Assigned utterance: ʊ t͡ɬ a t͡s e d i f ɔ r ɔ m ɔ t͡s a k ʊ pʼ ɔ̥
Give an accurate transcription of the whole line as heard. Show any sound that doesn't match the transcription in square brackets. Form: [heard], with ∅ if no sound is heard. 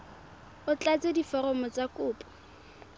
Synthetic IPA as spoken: ʊ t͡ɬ a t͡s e d i f ɔ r ɔ m ɔ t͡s a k [ʊː] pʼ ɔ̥